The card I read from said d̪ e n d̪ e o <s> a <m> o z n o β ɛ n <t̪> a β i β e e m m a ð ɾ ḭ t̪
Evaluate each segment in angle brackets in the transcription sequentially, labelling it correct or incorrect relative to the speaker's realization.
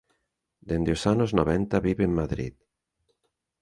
correct, incorrect: n, correct

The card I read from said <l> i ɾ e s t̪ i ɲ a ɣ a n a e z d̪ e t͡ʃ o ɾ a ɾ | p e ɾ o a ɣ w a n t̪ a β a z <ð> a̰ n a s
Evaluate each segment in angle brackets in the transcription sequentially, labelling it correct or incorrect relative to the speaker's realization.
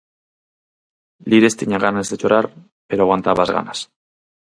correct, incorrect: ɣ

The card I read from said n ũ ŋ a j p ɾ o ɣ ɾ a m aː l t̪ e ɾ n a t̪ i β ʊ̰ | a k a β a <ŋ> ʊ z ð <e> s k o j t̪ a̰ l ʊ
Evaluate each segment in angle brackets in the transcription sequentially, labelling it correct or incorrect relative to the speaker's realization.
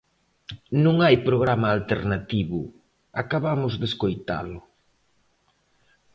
incorrect: m, correct

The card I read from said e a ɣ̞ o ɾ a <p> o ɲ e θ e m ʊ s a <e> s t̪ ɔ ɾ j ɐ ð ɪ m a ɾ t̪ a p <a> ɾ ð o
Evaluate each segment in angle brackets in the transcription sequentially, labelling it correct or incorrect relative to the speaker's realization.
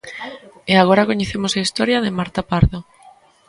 incorrect: k, incorrect: i, correct

